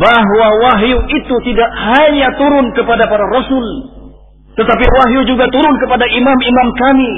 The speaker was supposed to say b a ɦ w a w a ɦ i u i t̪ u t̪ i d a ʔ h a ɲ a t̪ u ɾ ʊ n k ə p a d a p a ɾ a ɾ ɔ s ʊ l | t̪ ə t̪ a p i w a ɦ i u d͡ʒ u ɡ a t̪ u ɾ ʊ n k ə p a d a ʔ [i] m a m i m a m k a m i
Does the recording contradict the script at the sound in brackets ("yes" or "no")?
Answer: no